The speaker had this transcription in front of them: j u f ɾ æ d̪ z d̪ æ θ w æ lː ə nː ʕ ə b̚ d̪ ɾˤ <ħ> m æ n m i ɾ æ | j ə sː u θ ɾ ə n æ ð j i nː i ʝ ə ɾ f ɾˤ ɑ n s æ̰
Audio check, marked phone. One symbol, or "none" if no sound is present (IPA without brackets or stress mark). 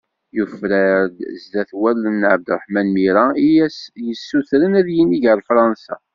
ħ